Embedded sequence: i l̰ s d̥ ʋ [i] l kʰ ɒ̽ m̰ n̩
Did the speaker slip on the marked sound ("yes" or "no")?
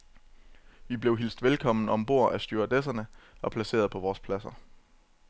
yes